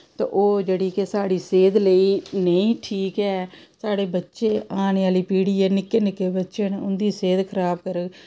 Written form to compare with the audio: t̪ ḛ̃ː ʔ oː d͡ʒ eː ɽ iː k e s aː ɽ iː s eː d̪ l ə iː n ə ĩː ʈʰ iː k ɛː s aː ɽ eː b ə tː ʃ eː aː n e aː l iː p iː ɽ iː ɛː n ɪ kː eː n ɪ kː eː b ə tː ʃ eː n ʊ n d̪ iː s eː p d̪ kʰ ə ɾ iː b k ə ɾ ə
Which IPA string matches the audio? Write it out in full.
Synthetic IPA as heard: t̪ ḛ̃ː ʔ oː d͡ʒ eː ɽ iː k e s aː ɽ iː s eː d̪ l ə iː n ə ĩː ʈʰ iː k ɛː s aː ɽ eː b ə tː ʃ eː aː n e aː l iː p iː ɽ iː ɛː n ɪ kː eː n ɪ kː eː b ə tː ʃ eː n ʊ n d̪ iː s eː d̪ kʰ ə ɾ aː b k ə ɾ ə